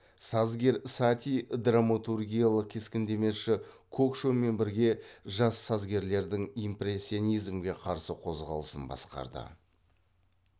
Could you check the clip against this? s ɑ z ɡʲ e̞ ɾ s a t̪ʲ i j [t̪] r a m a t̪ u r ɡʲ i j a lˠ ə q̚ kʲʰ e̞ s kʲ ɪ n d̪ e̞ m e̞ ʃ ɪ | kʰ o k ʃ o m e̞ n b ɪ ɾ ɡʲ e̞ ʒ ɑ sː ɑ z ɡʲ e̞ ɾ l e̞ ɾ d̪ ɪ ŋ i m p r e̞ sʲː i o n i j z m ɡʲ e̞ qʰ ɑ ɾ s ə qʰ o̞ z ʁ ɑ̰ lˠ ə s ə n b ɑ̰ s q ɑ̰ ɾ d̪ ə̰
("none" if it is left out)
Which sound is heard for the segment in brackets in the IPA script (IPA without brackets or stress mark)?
d̪